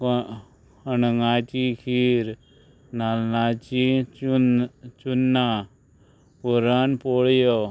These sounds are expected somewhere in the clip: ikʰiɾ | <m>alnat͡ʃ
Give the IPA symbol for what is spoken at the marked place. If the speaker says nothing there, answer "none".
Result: n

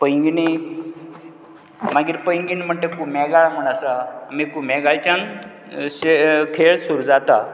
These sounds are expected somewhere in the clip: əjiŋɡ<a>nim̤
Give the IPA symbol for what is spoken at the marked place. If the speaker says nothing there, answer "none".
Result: i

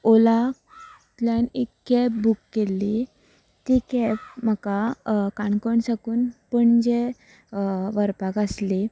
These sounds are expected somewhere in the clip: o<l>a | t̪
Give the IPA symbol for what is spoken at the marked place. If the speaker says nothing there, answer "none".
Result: l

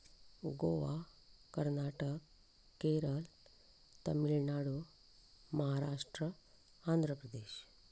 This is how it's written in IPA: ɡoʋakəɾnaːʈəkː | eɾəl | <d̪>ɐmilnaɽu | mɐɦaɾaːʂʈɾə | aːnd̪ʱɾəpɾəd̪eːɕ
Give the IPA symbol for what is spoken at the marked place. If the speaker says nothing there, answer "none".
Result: t̪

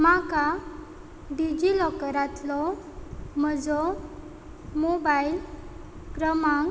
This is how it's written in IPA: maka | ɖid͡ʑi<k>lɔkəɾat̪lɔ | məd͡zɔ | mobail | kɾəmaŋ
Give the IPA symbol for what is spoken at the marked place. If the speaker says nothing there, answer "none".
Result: none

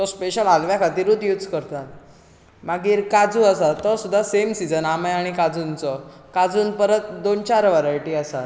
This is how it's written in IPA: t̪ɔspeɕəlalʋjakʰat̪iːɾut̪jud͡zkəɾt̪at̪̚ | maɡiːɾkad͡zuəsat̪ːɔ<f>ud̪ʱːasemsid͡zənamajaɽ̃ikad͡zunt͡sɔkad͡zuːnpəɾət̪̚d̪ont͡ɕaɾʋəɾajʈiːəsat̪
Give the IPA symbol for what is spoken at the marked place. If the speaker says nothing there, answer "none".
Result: s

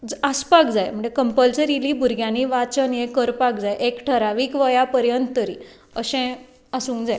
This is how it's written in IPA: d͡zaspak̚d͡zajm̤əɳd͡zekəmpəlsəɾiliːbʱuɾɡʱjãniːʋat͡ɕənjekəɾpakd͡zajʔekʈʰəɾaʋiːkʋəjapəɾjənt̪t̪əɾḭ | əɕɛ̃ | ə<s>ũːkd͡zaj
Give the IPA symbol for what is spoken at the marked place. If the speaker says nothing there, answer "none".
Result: s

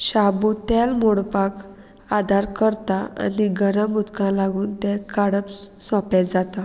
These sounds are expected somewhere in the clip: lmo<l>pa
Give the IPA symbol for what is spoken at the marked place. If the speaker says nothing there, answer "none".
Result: ɽ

